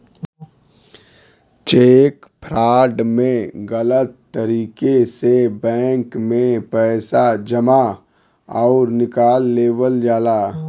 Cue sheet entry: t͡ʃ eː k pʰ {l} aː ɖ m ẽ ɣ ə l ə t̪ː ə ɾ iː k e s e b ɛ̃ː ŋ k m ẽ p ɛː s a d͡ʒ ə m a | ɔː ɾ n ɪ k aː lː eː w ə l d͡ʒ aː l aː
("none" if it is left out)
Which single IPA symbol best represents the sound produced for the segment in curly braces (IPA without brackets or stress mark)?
ɾ